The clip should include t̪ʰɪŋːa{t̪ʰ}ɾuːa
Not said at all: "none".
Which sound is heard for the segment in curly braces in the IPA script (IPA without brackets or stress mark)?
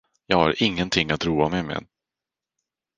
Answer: t̪